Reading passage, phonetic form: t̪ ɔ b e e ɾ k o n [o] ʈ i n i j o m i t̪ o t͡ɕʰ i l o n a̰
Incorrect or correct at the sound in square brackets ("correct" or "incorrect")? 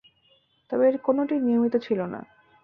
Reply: correct